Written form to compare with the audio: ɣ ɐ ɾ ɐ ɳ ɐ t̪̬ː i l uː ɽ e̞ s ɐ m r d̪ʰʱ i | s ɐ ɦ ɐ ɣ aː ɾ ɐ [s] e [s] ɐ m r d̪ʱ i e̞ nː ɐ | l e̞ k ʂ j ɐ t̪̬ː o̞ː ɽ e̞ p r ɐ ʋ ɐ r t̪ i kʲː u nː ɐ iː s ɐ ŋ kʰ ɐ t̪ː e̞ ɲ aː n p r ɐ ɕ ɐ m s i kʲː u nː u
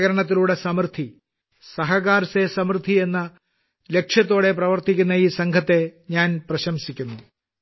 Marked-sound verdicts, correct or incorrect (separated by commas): correct, correct